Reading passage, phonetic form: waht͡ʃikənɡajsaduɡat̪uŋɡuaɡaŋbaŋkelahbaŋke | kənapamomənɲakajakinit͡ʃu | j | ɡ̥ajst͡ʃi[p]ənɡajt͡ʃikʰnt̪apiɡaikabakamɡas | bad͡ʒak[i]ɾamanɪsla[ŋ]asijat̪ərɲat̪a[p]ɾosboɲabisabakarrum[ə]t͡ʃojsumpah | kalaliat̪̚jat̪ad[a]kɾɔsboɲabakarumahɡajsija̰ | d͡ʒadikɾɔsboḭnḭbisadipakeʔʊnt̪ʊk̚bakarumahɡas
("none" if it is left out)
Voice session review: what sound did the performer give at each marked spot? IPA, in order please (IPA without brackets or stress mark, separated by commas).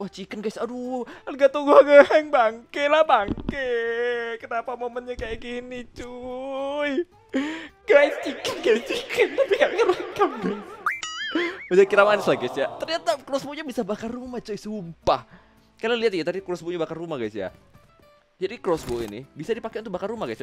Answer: k, i, ɡ, k, a, i